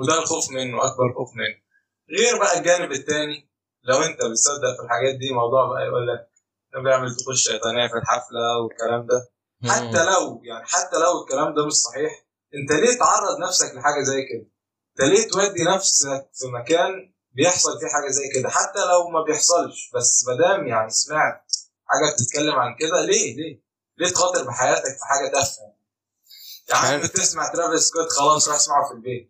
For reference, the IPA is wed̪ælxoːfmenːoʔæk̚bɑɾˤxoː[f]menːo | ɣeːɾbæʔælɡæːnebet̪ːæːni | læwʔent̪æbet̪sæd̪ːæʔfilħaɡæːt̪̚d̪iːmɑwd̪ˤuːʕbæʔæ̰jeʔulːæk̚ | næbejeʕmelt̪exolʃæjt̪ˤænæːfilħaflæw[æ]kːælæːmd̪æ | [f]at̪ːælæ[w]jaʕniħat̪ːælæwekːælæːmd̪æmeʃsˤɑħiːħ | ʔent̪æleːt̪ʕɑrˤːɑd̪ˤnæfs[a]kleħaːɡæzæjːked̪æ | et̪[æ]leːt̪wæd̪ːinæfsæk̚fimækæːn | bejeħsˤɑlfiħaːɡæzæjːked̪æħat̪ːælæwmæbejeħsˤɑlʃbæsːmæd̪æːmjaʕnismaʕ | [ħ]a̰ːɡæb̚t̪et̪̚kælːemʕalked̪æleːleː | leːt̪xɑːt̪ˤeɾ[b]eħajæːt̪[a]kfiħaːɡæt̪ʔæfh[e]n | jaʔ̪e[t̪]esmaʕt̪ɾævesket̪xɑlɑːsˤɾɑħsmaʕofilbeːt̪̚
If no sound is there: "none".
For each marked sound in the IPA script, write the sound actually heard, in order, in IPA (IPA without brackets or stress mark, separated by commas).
f, e, ħ, w, æ, æ, ħ, b, æ, æ, t̪